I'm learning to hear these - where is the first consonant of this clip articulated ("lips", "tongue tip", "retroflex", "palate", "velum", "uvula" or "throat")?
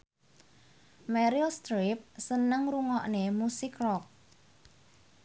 lips